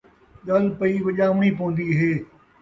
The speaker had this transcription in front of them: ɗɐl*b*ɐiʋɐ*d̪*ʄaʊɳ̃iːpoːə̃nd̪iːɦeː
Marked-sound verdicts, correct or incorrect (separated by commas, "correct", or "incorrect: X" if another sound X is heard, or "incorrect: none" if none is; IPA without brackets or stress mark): incorrect: p, incorrect: none